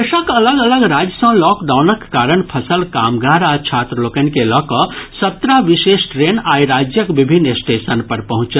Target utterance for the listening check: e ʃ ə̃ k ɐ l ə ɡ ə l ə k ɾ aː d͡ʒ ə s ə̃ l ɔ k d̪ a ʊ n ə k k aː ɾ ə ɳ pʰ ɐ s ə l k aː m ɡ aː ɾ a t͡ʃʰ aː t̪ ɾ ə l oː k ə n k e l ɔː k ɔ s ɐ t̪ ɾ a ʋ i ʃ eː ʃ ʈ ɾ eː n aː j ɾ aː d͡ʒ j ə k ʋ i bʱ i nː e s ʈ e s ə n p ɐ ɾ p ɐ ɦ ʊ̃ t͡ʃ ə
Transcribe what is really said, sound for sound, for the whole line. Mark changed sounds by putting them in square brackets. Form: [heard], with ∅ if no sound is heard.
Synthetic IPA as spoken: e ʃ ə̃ k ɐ l ə ɡ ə l ə [ɡ] ɾ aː d͡ʒ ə s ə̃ l ɔ k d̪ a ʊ n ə k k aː ɾ ə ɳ pʰ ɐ s ə l k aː m ɡ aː ɾ a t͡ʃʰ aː t̪ ɾ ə l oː k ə n k e l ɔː k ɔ s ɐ t̪ ɾ a ʋ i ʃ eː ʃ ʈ ɾ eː n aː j ɾ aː d͡ʒ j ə k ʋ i bʱ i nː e s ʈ e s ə n p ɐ ɾ p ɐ ɦ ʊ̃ t͡ʃ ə

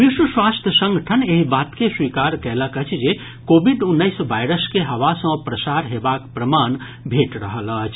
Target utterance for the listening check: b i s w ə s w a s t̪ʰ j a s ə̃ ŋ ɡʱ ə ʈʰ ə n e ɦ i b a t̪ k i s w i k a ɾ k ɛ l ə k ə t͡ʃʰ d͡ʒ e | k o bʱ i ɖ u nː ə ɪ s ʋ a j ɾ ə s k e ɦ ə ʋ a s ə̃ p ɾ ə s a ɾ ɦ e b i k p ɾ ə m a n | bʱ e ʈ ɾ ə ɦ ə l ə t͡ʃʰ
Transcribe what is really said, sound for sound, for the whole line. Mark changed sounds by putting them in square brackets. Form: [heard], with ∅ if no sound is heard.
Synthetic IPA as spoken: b i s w ə s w a s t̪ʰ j [ə] s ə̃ ŋ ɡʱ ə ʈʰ ə n e ɦ i b a t̪ k [e] s w i k a ɾ k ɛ l ə k ə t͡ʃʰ d͡ʒ e | k o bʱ i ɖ u nː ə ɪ s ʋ a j ɾ ə s k e ɦ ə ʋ a s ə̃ p ɾ ə s a ɾ ɦ e b [a] k p ɾ ə m a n | bʱ e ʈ ɾ ə ɦ ə l ə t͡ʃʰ

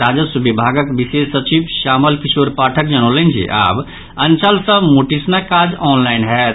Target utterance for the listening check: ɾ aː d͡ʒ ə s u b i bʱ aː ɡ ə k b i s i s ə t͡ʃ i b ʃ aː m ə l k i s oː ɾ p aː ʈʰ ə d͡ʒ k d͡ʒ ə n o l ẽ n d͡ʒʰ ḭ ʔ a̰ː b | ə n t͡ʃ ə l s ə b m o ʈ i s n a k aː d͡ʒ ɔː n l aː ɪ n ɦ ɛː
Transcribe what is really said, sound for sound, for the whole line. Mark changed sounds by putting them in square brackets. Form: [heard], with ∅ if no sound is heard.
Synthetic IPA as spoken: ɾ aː d͡ʒ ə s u b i bʱ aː ɡ ə k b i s [e] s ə t͡ʃ i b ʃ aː m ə l k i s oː ɾ p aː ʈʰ ə [∅] k d͡ʒ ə n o l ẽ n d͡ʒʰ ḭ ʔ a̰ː b | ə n t͡ʃ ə l s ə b m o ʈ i s n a k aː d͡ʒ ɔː n l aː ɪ n ɦ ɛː

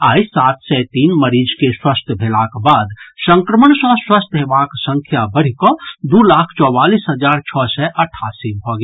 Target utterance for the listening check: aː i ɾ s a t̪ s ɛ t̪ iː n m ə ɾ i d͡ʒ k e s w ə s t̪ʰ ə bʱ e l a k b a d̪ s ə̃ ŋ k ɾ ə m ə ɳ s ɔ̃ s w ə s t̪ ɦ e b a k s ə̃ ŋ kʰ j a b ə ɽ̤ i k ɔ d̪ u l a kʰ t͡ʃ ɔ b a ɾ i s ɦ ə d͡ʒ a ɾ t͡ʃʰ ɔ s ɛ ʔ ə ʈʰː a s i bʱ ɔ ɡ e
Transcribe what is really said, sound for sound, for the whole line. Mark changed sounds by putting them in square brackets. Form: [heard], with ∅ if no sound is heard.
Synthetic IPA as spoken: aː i [∅] s a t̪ s ɛ t̪ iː n m ə ɾ i d͡ʒ k e s w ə s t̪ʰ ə bʱ e l a k b a d̪ s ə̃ ŋ k ɾ ə m ə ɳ s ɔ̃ s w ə s t̪ ɦ e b a k s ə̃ ŋ kʰ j a b ə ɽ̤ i k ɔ d̪ u l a kʰ t͡ʃ ɔ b a [l] i s ɦ ə d͡ʒ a ɾ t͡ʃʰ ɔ s ɛ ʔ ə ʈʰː a s i bʱ ɔ ɡ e

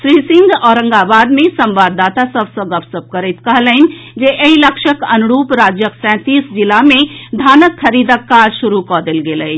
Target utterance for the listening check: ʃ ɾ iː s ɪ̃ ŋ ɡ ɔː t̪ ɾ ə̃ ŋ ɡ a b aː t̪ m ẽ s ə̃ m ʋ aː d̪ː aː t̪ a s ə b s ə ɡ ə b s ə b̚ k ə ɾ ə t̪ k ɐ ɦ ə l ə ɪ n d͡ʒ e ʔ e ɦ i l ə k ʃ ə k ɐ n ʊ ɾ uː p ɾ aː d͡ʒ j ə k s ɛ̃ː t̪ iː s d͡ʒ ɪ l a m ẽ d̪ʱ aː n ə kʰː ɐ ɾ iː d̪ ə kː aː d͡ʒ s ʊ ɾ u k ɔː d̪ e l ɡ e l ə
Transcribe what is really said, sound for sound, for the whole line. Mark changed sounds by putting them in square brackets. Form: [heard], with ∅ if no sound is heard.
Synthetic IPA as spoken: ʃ ɾ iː s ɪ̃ ŋ ɡ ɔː [∅] ɾ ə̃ ŋ ɡ a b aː [d̪] m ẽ s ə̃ m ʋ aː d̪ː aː t̪ a s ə b s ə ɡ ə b s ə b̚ k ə ɾ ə t̪ k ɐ ɦ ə l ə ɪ n d͡ʒ e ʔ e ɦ i l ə k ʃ ə k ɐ n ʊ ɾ uː p ɾ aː d͡ʒ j ə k s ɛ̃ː t̪ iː s d͡ʒ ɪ l a m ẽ d̪ʱ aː n ə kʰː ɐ ɾ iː d̪ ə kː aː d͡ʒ [ʃ] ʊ ɾ u k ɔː d̪ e l ɡ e l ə

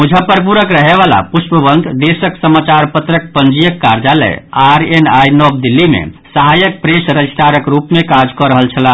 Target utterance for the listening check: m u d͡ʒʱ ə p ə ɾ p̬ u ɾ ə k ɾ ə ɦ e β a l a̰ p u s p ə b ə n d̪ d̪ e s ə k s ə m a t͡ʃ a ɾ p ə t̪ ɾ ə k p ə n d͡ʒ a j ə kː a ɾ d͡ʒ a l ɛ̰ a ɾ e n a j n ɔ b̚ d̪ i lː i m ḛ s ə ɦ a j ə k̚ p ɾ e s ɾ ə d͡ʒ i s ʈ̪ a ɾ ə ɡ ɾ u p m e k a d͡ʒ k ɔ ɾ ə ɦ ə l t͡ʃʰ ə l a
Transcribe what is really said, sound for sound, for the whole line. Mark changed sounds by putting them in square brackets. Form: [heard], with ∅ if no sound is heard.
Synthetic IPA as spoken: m u d͡ʒʱ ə p ə ɾ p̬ u ɾ ə k ɾ ə ɦ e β a l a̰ p u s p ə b ə n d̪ d̪ e s ə k s ə m a t͡ʃ a ɾ p ə t̪ ɾ ə k p ə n d͡ʒ [i] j ə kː a ɾ d͡ʒ a l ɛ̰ a ɾ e n a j n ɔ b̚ d̪ i lː i m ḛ s ə ɦ a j ə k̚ p ɾ e s ɾ ə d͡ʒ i s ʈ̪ a ɾ ə [k] ɾ u p m e k a d͡ʒ k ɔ ɾ ə ɦ ə l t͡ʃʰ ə l a

